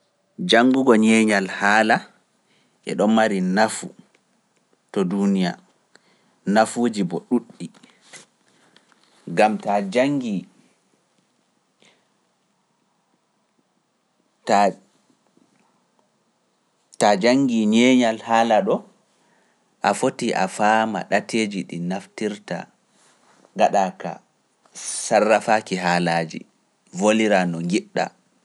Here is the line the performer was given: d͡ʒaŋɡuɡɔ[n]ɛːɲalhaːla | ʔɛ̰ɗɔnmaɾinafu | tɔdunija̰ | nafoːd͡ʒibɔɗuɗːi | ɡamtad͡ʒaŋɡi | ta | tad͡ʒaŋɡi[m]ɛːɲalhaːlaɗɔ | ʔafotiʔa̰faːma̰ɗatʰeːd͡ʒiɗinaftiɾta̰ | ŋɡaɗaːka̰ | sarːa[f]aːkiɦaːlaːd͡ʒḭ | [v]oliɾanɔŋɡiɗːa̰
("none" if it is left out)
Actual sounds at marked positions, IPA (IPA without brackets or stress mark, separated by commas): ɲ, ɲ, f, v